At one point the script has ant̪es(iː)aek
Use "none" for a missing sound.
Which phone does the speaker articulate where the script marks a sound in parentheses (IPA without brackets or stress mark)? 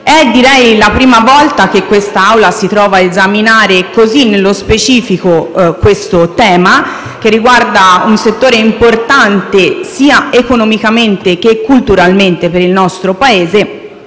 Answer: iː